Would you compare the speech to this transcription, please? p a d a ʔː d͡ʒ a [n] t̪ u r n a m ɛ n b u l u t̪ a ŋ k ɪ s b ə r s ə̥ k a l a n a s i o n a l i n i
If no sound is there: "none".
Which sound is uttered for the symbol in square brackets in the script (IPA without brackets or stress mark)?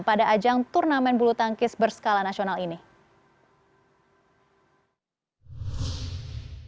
ŋ